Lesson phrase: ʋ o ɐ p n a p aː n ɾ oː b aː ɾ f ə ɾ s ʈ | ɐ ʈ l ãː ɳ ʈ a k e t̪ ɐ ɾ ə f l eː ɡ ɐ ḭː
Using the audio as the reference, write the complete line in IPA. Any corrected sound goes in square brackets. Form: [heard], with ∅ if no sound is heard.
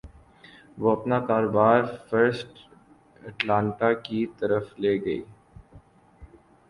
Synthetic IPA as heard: ʋ o ɐ p n a [k] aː [∅] ɾ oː b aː ɾ f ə ɾ s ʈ | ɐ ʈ l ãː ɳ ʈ a k [i] t̪ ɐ ɾ ə f l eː ɡ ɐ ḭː